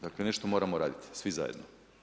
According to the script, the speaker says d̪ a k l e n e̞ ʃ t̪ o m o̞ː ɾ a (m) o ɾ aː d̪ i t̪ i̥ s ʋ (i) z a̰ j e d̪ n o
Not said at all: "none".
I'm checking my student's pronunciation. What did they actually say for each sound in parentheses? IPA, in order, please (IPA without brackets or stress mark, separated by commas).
m, i